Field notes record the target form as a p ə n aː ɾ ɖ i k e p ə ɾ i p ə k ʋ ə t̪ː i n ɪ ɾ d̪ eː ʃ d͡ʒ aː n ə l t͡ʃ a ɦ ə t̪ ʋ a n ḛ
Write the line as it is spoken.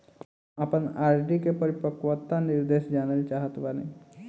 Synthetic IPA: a p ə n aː ɾ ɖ i k e p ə ɾ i p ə k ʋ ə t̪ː a n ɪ ɾ d̪ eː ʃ d͡ʒ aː n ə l t͡ʃ a ɦ ə t̪ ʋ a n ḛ

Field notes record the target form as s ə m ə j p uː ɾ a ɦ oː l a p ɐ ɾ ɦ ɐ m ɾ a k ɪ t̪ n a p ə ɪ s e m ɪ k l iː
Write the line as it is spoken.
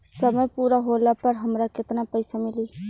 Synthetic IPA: s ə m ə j p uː ɾ a ɦ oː l a p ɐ ɾ ɦ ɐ m ɾ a k ɪ t̪ n a p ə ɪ s a m ɪ l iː

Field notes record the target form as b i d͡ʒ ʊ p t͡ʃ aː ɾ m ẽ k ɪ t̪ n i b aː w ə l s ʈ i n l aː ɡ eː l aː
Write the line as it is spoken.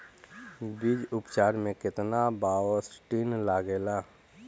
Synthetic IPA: b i d͡ʒ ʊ p t͡ʃ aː ɾ m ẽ k ɪ t̪ n a b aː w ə s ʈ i n l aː ɡ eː l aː

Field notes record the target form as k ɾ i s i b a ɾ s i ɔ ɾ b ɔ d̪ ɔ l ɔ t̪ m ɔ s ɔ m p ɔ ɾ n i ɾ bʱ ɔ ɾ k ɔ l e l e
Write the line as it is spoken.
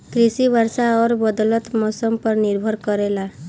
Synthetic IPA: k ɾ i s i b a ɾ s a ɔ ɾ b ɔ d̪ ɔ l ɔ t̪ m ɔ s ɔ m p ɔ ɾ n i ɾ bʱ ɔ ɾ k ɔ ɾ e l a

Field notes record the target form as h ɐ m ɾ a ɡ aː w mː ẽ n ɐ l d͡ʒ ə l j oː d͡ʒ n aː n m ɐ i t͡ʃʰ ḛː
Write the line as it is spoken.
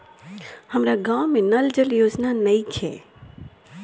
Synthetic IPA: h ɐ m ɾ a ɡ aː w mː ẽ n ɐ l d͡ʒ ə l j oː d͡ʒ n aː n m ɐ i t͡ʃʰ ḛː

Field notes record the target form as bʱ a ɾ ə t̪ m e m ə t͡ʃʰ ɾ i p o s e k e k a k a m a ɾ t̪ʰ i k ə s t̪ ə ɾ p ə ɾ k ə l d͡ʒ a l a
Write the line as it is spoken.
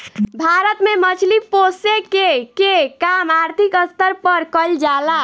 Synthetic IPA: bʱ a ɾ ə t̪ m e m ə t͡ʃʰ l i p o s e k e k e k a m a ɾ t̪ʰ i k ə s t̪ ə ɾ p ə ɾ k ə l d͡ʒ a l a

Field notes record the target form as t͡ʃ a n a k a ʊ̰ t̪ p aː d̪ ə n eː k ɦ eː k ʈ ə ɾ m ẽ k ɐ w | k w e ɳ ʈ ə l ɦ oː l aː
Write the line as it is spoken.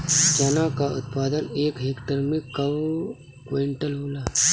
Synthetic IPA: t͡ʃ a n a k a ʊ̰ t̪ p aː d̪ ə n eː k ɦ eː k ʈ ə ɾ m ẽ k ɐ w | k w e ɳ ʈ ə l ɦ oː l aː

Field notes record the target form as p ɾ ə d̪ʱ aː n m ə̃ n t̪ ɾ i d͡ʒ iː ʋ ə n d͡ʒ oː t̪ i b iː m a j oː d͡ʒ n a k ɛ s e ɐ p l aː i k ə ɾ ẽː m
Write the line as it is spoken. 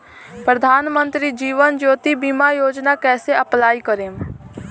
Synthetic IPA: p ɾ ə d̪ʱ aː n m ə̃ n t̪ ɾ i d͡ʒ iː ʋ ə n d͡ʒ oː t̪ i b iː m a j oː d͡ʒ n a k ɛː s e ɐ p l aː i k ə ɾ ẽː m

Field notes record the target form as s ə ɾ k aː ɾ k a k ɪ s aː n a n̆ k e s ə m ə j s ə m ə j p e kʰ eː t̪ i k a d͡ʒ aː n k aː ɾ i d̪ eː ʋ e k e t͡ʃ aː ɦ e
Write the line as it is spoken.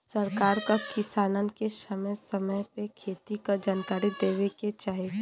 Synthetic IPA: s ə ɾ k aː ɾ k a k ɪ s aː n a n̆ k e s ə m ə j s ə m ə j p e kʰ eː t̪ i k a d͡ʒ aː n k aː ɾ i d̪ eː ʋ e k e t͡ʃ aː ɦ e

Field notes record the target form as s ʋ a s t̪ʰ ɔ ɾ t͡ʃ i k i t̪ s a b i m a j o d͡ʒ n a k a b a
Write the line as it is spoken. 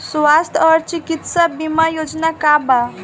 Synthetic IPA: s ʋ a s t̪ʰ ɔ ɾ t͡ʃ i k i t̪ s a b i m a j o d͡ʒ n a k a b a

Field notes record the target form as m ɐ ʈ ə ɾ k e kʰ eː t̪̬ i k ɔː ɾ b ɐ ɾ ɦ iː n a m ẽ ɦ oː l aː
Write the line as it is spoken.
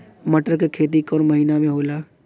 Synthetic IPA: m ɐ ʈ ə ɾ k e kʰ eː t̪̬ i k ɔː ɾ m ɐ ɦ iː n a m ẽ ɦ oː l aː

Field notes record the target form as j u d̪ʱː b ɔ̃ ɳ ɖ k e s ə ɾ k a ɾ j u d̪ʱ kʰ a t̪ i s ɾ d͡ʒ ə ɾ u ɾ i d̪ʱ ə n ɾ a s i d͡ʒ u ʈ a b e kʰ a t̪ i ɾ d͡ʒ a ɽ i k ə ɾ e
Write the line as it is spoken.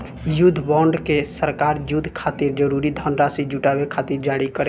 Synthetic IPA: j u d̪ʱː b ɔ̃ ɳ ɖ k e s ə ɾ k a ɾ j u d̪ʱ kʰ a t̪ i ɾ d͡ʒ ə ɾ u ɾ i d̪ʱ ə n ɾ a s i d͡ʒ u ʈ a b e kʰ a t̪ i ɾ d͡ʒ a ɽ i k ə ɾ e

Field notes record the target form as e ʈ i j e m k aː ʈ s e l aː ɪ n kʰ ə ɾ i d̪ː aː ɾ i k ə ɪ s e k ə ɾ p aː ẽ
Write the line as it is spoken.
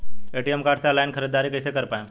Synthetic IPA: e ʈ i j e m k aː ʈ s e l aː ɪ n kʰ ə ɾ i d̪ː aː ɾ i k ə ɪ s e k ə ɾ p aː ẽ

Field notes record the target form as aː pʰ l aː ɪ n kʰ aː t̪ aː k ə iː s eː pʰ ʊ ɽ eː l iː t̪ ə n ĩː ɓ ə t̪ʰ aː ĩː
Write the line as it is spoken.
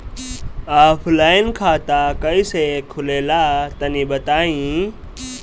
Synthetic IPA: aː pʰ l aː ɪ n kʰ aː t̪ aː k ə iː s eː kʰ ʊ l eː l aː t̪ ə n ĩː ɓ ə t̪ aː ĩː

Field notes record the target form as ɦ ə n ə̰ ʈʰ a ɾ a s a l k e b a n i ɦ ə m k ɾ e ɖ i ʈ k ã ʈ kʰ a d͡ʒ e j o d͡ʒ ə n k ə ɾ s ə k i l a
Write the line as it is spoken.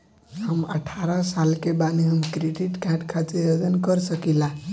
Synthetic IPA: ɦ ə m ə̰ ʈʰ a ɾ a s a l k e b a n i ɦ ə m k ɾ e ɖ i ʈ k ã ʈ kʰ a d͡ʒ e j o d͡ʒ ə n k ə ɾ s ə k i l a

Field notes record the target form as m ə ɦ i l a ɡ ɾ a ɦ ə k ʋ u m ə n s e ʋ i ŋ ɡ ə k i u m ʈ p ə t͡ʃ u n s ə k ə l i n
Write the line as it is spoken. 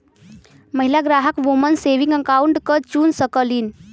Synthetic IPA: m ə ɦ i l a ɡ ɾ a ɦ ə k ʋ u m ə n s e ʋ i ŋ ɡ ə k a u ɳ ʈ k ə t͡ʃ u n s ə k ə l i n

